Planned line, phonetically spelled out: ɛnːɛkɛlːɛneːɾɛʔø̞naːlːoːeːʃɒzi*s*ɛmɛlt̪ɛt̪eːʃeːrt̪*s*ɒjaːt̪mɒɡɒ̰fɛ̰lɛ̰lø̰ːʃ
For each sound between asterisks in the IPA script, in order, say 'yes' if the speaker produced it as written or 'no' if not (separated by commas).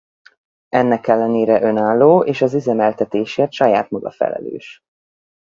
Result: no, no